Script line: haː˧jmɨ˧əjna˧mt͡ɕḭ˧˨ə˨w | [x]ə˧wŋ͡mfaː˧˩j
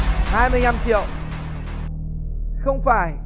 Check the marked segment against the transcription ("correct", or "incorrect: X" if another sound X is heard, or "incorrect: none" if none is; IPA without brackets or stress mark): correct